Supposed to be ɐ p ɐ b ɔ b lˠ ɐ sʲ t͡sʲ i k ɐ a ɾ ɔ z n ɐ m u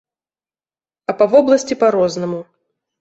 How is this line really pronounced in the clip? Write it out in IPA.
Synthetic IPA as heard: ɐ p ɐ v ɔ b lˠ ɐ sʲ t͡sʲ i p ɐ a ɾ ɔ z n ɐ m u